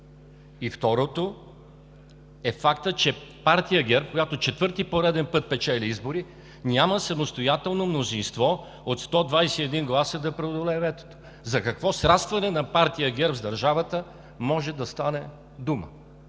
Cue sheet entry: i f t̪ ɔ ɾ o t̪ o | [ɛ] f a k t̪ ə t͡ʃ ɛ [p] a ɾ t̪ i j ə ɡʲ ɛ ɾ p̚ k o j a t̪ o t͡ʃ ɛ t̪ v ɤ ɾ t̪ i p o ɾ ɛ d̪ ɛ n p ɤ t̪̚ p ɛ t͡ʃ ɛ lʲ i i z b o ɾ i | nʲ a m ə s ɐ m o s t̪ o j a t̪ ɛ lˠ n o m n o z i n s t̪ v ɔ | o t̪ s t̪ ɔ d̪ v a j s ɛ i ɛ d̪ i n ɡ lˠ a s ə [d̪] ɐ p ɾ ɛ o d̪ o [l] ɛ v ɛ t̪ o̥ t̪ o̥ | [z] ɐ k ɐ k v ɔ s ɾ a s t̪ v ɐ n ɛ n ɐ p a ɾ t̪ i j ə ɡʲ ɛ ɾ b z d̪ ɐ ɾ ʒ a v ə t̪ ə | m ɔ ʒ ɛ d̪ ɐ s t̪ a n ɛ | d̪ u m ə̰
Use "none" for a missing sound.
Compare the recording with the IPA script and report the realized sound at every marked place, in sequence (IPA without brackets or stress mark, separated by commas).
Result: ɛ, p, d̪, l, z